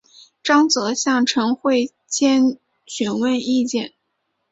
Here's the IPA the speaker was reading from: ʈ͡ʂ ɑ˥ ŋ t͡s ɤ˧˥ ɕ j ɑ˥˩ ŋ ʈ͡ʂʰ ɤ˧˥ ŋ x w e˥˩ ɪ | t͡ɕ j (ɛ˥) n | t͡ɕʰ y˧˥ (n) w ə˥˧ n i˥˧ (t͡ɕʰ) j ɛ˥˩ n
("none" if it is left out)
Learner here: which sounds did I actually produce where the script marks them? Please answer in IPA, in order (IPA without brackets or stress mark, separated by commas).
ɛ˥, n, t͡ɕ